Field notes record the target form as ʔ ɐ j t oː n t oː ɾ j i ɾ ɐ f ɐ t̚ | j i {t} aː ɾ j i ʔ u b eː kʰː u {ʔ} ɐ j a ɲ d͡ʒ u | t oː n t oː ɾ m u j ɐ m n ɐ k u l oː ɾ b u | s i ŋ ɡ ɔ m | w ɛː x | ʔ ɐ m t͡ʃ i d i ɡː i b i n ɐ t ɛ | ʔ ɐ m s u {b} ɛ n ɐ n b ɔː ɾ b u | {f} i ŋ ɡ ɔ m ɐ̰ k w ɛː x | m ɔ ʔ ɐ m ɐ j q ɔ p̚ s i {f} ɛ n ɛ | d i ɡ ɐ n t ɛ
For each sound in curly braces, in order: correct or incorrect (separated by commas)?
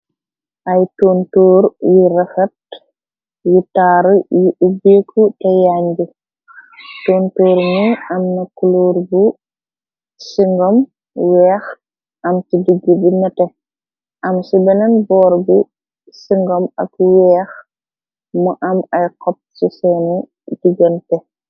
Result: correct, incorrect, correct, incorrect, incorrect